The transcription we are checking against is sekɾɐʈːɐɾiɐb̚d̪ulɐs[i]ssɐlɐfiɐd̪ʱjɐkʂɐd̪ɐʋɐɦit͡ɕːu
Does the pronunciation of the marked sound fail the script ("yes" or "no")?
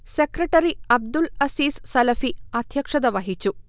yes